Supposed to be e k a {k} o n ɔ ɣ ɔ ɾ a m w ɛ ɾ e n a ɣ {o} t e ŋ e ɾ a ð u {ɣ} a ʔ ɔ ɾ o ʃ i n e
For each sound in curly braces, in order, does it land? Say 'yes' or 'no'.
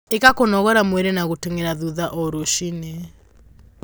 yes, yes, no

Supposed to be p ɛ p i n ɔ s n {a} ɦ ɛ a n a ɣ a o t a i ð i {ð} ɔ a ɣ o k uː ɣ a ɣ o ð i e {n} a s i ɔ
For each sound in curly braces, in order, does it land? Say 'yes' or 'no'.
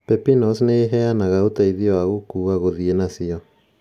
no, no, yes

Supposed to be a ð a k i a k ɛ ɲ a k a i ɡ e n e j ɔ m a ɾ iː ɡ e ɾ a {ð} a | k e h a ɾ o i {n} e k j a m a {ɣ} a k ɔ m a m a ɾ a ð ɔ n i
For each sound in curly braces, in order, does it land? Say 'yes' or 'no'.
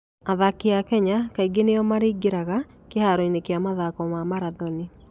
no, yes, no

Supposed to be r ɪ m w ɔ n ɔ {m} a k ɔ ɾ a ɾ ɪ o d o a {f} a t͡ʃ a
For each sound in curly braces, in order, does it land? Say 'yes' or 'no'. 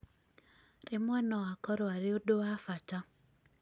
no, yes

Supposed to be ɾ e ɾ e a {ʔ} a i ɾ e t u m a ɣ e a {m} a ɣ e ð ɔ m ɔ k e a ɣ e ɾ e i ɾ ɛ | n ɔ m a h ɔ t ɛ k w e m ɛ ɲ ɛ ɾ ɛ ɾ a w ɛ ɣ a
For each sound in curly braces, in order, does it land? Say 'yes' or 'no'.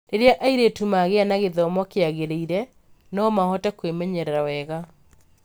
yes, no

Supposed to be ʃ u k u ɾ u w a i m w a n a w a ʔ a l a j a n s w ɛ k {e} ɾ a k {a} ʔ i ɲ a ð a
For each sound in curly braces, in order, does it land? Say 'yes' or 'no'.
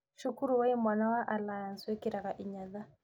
no, yes

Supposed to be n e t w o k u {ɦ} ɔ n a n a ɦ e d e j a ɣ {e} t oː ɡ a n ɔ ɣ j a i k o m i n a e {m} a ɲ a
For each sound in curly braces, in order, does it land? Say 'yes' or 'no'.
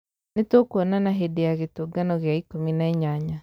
no, yes, no

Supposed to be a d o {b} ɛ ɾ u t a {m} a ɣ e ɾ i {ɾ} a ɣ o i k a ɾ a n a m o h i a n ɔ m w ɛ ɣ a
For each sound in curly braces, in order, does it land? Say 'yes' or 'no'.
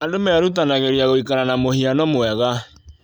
no, no, no

